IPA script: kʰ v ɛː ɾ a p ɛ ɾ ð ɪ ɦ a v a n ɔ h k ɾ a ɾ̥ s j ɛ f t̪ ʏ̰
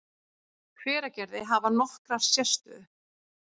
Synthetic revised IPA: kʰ v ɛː ɾ a c ɛ ɾ ð ɪ ɦ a v a n ɔ h k ɾ a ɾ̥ s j ɛ s t̪ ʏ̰